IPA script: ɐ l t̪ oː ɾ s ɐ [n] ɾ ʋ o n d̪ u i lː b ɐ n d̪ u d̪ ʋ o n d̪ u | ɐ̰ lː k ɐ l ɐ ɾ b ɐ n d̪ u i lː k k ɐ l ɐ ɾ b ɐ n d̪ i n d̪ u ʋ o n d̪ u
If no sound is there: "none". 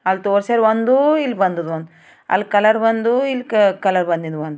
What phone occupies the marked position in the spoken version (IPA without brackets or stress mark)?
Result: none